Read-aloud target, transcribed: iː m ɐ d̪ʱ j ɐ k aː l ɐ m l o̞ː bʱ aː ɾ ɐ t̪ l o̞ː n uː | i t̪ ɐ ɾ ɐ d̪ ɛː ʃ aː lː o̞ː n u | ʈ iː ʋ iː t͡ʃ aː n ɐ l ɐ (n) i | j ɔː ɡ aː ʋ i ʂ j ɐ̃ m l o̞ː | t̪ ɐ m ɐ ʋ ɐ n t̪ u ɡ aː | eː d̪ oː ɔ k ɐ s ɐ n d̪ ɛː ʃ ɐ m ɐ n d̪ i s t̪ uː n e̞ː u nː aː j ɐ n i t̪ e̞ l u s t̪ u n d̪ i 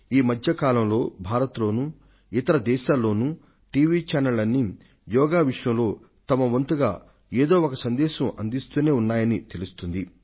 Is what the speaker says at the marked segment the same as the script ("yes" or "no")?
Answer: no